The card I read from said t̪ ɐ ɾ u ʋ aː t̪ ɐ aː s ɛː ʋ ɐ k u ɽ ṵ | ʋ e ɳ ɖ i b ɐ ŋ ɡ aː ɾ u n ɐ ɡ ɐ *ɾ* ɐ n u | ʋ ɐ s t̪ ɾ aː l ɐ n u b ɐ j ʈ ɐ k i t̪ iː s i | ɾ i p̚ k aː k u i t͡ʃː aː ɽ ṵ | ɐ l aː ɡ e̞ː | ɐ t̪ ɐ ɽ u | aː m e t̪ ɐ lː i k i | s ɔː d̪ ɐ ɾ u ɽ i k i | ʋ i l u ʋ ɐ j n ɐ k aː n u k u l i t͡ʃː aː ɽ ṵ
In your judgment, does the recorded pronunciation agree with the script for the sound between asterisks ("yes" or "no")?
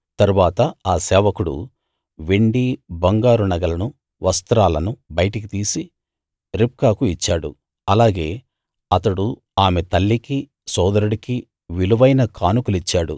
no